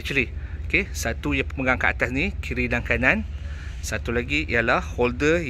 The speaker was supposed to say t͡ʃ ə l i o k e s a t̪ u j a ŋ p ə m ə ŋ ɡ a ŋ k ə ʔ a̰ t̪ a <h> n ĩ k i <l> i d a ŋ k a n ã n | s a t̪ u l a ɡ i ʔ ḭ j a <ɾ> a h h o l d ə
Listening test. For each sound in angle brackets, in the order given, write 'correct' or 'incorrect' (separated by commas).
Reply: incorrect, incorrect, incorrect